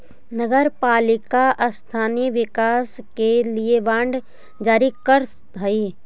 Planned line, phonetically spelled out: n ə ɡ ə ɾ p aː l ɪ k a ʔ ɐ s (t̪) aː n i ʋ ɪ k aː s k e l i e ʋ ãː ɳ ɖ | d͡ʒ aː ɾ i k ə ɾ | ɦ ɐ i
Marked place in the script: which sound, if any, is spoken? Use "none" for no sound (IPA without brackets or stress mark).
t̪ʰ